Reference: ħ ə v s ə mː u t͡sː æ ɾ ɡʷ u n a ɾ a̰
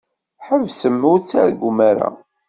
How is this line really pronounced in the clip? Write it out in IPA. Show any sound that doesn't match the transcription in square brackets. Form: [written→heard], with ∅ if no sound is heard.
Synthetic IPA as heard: ħ ə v s ə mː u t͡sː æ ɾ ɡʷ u [n→m] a ɾ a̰